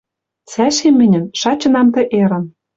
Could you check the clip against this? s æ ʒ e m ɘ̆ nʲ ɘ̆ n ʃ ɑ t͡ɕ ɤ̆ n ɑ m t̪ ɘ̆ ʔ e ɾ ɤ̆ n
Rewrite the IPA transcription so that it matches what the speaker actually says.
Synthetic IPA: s æ ʃ e m ɘ̆ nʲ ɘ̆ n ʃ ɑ t͡ɕ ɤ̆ n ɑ m t̪ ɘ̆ ʔ e ɾ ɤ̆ n